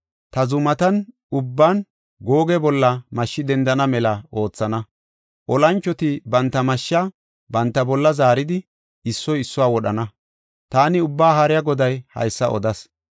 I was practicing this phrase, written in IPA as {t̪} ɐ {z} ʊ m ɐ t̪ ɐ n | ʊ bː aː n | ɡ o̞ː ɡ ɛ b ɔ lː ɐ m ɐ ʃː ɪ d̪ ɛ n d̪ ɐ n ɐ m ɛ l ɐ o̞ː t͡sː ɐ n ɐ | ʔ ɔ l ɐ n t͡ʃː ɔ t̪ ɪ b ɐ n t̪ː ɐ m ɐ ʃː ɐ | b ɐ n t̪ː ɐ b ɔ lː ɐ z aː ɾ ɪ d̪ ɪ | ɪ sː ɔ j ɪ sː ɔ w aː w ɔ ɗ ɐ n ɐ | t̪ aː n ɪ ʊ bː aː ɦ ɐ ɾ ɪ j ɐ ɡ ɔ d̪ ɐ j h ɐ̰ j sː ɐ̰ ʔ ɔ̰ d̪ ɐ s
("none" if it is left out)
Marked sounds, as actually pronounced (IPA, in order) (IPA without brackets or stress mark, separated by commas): t̪, z